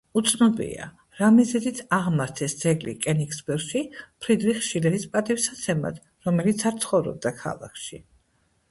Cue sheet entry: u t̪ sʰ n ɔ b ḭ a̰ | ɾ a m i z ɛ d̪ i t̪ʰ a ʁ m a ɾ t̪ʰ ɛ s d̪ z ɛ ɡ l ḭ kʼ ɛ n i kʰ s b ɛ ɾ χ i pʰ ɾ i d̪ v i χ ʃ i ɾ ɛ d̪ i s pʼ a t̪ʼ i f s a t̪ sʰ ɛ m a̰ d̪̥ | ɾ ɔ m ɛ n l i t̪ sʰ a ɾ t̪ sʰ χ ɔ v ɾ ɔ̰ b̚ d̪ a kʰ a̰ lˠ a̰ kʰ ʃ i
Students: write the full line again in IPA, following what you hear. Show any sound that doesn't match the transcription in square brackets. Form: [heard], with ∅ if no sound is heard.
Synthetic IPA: u t̪ sʰ n ɔ b ḭ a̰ | ɾ a m i z ɛ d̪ i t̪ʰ a ʁ m a ɾ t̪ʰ ɛ s d̪ z ɛ ɡ l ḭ kʼ ɛ n i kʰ s b ɛ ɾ [ʃ] i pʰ ɾ i d̪ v i χ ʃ i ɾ ɛ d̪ i s pʼ a t̪ʼ i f s a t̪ sʰ ɛ m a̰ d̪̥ | ɾ ɔ m ɛ [∅] l i t̪ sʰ a ɾ t̪ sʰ χ ɔ v ɾ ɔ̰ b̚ d̪ a kʰ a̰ lˠ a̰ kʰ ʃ i

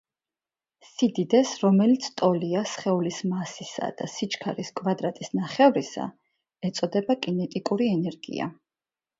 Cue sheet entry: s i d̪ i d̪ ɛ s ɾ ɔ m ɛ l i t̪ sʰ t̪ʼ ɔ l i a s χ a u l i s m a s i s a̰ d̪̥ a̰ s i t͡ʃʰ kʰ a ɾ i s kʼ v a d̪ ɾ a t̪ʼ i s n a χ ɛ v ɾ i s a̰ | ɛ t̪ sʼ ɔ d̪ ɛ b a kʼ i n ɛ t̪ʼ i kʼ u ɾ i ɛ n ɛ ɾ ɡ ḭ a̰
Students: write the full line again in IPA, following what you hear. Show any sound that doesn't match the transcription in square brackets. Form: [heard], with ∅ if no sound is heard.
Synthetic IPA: s i d̪ i d̪ ɛ s ɾ ɔ m ɛ l i t̪ sʰ t̪ʼ ɔ l i a s χ [ɛ] u l i s m a s i s a̰ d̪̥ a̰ s i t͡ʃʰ kʰ a ɾ i s kʼ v a d̪ ɾ a t̪ʼ i s n a χ ɛ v ɾ i s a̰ | ɛ t̪ sʼ ɔ d̪ ɛ b a kʼ i n ɛ t̪ʼ i kʼ u ɾ i ɛ n ɛ ɾ ɡ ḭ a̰

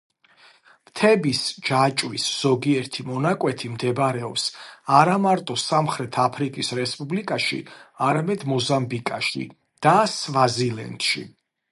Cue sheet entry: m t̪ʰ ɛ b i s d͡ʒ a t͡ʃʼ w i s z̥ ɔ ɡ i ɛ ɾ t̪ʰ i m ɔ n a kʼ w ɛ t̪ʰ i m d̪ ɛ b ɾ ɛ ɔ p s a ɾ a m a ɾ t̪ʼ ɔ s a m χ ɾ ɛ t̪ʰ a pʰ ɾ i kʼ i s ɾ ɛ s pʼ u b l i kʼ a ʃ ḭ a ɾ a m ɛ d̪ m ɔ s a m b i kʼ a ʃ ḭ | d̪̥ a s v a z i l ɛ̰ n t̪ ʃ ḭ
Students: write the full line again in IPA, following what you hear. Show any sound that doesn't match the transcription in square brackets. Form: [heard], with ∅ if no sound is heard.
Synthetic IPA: m t̪ʰ ɛ b i s d͡ʒ a t͡ʃʼ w i s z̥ ɔ ɡ i ɛ ɾ t̪ʰ i m ɔ n a kʼ w ɛ t̪ʰ i m d̪ ɛ b ɾ ɛ ɔ p s a ɾ a m a ɾ t̪ʼ ɔ s a m χ ɾ ɛ t̪ʰ a pʰ ɾ i kʼ i s ɾ ɛ s pʼ u b l i kʼ a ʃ ḭ a ɾ a m ɛ d̪ m ɔ [z] a m b i kʼ a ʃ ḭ | d̪̥ a s v a z i l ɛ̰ n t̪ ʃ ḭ

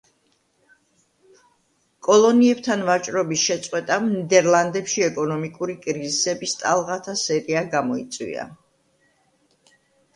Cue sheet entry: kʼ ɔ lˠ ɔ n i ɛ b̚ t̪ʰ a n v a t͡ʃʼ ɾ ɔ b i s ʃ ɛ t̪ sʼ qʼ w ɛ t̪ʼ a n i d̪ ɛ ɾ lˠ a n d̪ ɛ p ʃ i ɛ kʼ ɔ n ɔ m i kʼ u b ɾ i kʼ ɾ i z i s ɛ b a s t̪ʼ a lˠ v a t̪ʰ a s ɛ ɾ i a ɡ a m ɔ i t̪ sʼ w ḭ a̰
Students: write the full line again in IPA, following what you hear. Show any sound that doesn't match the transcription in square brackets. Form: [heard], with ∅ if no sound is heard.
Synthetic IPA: kʼ ɔ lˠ ɔ n i ɛ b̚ t̪ʰ a n v a t͡ʃʼ ɾ ɔ b i s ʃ ɛ t̪ sʼ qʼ w ɛ t̪ʼ a n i d̪ ɛ ɾ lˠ a n d̪ ɛ p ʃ i ɛ kʼ ɔ n ɔ m i kʼ u [∅] ɾ i kʼ ɾ i z i s ɛ b [i] s t̪ʼ a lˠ [ʁ] a t̪ʰ a s ɛ ɾ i a ɡ a m ɔ i t̪ sʼ w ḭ a̰

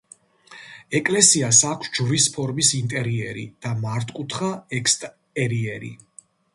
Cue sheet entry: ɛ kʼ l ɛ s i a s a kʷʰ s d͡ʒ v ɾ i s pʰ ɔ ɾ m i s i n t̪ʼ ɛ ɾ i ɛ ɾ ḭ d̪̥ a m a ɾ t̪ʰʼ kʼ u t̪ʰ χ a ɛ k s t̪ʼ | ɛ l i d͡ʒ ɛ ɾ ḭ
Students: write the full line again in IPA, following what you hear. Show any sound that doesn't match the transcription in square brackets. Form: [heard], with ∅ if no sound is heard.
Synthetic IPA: ɛ kʼ l ɛ s i a s a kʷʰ s d͡ʒ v ɾ i s pʰ ɔ ɾ m i s i n t̪ʼ ɛ ɾ i ɛ ɾ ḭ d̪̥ a m a ɾ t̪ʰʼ kʼ u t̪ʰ χ a ɛ k s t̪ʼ | ɛ [ɾ] i [∅] ɛ ɾ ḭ

